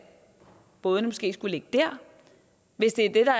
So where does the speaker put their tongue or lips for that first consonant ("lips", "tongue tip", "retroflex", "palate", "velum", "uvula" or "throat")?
lips